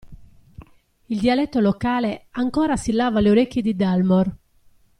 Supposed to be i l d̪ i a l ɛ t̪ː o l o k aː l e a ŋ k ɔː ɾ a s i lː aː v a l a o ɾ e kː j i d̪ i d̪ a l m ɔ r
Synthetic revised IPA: i l d̪ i a l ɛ t̪ː o l o k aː l e a ŋ k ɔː ɾ a s i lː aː v a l e o ɾ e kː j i d̪ i d̪ a l m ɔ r